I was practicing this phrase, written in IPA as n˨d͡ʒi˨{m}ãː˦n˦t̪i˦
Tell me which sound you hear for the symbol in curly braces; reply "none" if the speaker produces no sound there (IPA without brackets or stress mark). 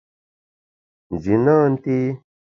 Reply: n